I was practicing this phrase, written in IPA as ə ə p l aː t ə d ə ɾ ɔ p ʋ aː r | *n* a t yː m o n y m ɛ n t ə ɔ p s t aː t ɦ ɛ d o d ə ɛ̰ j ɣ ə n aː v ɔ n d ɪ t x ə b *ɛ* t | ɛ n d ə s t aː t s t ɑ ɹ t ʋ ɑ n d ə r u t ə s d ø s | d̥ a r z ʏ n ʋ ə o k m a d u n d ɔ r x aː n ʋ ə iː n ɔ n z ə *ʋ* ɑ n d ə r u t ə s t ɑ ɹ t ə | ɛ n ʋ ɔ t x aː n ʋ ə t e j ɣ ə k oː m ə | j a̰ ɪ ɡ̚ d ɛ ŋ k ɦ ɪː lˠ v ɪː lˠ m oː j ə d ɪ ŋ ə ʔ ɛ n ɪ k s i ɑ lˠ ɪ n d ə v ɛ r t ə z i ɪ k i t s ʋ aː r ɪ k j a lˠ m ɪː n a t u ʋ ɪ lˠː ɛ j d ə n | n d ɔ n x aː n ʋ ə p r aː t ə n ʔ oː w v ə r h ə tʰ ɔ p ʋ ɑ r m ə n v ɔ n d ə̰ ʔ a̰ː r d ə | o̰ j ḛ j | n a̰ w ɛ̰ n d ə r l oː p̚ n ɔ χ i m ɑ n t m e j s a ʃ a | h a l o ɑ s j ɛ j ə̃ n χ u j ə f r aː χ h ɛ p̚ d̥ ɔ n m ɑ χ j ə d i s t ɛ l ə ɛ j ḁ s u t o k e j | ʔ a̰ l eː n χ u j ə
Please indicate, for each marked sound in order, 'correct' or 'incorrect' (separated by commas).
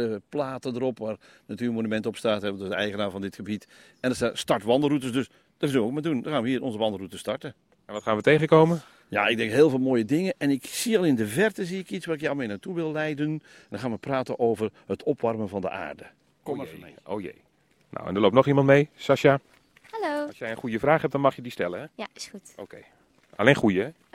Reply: correct, incorrect, correct